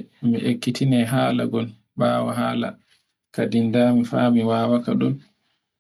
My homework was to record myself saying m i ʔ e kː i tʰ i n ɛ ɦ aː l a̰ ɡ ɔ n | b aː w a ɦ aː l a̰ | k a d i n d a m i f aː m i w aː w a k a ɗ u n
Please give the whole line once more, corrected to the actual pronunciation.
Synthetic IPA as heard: m i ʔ e kː i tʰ i n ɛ ɦ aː l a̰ ɡ ɔ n | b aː w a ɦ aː l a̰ | k a d i n d a m i f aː m i w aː w a k a ɗ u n